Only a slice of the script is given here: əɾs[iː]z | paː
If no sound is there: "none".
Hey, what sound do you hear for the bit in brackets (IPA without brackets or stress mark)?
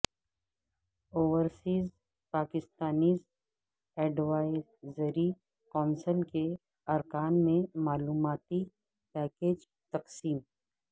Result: iː